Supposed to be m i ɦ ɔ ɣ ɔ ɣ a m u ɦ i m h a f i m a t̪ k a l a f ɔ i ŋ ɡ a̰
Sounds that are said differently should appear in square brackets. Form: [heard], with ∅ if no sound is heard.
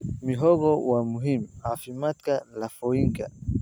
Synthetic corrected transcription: m i ɦ ɔ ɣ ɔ [w] a m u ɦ i m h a f i m a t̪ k a l a f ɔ i ŋ ɡ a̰